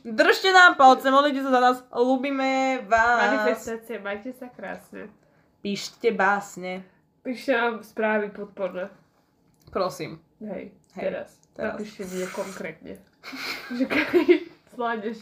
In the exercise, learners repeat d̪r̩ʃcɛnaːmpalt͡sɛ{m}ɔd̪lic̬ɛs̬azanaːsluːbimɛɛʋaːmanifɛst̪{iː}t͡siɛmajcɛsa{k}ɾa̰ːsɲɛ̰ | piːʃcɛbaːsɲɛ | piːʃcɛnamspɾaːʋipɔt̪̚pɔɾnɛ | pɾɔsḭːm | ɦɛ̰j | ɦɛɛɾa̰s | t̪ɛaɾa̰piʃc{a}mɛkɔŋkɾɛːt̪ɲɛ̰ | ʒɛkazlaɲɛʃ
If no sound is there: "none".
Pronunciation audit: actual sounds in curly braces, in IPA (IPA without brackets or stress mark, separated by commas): m, aː, k, ɛ